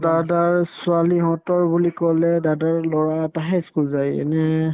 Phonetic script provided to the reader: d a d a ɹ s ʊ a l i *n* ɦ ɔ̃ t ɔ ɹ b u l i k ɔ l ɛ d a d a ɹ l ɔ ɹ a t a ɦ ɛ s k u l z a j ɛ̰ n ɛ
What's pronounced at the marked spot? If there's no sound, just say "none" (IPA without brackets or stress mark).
none